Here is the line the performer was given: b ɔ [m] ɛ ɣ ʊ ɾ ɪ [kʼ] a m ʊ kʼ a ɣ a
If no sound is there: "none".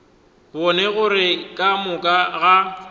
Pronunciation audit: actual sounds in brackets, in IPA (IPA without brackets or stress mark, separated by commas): n, kʼ